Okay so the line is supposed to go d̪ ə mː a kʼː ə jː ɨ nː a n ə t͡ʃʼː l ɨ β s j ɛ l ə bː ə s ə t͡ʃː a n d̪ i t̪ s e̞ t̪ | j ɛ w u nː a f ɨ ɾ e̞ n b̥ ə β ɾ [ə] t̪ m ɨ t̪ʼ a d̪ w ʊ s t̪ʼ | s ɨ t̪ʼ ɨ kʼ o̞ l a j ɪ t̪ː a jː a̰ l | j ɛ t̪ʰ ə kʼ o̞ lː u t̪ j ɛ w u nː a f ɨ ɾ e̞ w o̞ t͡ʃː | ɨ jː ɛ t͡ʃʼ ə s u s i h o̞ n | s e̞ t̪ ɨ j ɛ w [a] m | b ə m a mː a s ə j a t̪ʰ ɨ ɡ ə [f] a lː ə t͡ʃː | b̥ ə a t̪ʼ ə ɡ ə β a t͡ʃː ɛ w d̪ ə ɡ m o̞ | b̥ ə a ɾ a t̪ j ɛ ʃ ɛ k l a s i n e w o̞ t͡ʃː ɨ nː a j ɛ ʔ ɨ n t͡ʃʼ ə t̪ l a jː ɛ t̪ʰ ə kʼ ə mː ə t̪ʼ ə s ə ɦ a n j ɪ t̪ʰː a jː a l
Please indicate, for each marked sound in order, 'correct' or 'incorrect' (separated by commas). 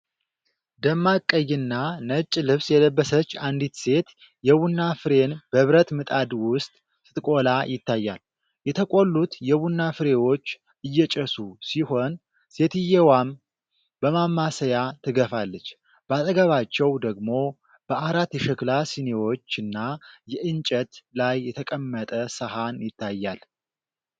correct, correct, correct